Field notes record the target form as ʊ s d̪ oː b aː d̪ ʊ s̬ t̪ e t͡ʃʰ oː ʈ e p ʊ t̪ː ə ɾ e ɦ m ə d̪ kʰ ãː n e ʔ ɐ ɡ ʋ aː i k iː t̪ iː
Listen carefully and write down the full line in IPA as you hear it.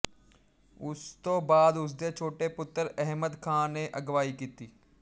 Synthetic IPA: ʊ s t̪ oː b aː d̪ ʊ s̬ d̪ e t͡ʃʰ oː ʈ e p ʊ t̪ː ə ɾ ɛ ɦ m ə d̪ kʰ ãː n e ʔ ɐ ɡ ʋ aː i k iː t̪ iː